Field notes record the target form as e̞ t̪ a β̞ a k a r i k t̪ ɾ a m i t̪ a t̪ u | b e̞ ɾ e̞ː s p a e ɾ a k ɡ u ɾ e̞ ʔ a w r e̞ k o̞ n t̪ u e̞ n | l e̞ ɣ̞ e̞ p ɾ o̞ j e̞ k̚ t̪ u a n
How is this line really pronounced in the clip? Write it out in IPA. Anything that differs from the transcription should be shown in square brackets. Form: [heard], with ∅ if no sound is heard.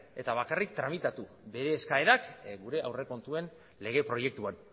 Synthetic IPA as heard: e̞ t̪ a β̞ a k a r i k t̪ ɾ a m i t̪ a t̪ u | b e̞ ɾ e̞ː s [k] a e ɾ a k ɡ u ɾ e̞ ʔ a w r e̞ k o̞ n t̪ u e̞ n | l e̞ ɣ̞ e̞ p ɾ o̞ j e̞ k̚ t̪ u a n